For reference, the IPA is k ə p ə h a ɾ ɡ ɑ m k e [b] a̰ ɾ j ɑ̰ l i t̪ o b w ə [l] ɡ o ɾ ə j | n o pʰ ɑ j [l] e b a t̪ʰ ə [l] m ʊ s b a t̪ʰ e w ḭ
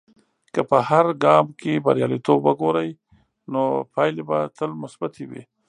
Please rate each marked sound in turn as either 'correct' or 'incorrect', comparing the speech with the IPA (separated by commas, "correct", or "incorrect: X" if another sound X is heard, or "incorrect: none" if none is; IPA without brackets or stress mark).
correct, incorrect: none, correct, correct